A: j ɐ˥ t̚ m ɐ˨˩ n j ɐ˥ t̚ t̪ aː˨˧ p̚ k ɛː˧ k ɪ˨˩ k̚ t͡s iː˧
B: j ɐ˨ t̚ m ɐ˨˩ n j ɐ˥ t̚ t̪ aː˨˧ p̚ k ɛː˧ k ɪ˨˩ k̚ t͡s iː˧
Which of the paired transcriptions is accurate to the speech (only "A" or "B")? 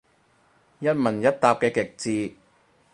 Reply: A